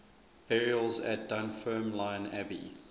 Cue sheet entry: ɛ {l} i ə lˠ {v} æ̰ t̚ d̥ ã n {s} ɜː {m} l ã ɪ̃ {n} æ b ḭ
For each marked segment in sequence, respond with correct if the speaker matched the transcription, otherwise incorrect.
incorrect, incorrect, incorrect, correct, correct

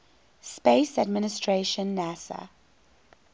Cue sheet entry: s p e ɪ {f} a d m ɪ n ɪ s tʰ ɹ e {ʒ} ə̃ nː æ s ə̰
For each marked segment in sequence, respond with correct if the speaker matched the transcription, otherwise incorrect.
incorrect, incorrect

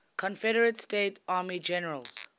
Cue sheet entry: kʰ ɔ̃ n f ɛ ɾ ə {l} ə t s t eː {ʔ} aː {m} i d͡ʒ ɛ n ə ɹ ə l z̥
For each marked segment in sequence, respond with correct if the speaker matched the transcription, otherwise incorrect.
incorrect, incorrect, correct

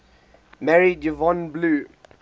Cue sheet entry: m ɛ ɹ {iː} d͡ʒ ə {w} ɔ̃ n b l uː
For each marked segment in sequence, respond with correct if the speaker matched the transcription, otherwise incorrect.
incorrect, incorrect

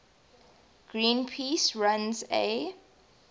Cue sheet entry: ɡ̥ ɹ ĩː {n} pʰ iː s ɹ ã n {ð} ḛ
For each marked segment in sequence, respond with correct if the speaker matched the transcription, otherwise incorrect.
correct, incorrect

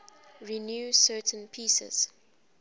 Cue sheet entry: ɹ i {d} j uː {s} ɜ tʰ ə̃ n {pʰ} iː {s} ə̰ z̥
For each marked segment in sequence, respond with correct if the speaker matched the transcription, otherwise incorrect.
incorrect, correct, correct, correct

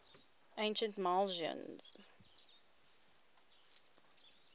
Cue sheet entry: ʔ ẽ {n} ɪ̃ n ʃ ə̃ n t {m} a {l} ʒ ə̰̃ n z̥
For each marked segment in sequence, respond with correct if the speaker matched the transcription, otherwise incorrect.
incorrect, correct, correct

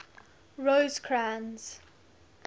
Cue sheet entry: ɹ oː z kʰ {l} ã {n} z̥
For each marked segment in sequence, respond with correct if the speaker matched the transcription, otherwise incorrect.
incorrect, correct

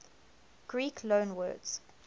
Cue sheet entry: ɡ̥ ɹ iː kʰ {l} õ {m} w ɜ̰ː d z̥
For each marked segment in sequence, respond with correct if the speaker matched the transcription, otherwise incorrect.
correct, incorrect

